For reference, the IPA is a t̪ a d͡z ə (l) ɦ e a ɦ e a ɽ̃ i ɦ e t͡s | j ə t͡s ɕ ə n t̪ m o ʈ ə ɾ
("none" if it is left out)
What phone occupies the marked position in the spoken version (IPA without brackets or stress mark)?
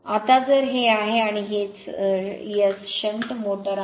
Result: ɾ